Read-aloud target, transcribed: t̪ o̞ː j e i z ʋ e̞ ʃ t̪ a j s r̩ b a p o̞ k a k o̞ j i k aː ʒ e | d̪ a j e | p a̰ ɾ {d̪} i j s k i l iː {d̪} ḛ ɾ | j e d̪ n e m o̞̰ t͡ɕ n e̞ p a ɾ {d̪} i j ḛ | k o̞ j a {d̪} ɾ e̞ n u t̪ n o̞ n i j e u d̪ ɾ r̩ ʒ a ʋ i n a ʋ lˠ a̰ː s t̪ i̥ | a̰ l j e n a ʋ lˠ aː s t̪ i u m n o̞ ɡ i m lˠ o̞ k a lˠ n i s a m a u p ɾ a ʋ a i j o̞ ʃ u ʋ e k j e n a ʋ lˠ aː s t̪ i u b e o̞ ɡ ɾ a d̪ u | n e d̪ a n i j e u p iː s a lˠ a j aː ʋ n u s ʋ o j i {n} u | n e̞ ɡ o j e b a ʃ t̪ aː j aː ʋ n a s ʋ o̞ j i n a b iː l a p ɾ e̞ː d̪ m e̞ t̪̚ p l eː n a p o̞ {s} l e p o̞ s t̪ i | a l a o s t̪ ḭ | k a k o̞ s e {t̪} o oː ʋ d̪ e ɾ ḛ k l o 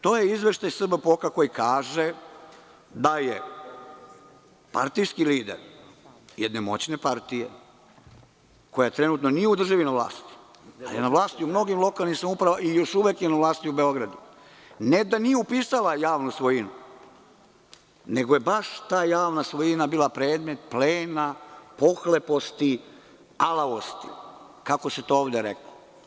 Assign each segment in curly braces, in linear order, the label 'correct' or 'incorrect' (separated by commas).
incorrect, correct, incorrect, incorrect, correct, incorrect, correct